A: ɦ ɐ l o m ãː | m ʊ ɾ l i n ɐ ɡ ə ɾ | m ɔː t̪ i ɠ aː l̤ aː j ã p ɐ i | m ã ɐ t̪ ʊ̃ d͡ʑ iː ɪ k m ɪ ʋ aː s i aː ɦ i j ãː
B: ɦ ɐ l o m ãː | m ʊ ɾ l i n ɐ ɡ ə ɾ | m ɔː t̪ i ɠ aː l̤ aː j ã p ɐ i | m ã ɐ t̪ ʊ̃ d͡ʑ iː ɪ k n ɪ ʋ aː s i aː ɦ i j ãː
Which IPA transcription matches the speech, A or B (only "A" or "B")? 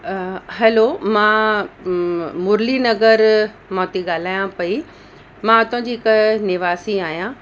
B